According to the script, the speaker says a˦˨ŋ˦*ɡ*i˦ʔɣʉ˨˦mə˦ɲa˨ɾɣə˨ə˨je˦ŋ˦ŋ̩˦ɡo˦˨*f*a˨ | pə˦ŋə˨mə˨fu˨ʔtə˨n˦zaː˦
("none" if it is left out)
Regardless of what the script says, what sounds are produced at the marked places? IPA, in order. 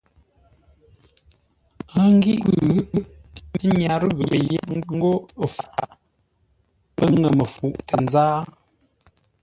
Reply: ɡ, f

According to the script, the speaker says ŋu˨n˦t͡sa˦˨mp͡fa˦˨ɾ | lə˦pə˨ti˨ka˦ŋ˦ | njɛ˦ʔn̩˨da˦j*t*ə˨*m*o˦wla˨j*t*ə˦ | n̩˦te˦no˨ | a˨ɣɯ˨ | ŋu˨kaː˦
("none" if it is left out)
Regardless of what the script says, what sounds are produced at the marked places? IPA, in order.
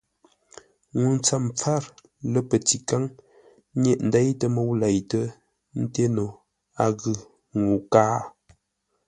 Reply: t, m, t

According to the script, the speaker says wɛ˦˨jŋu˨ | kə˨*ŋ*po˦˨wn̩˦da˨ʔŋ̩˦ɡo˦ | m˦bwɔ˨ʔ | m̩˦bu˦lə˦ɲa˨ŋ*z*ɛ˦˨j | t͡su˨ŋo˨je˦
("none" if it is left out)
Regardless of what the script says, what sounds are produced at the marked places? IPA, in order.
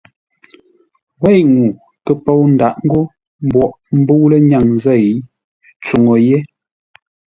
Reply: none, z

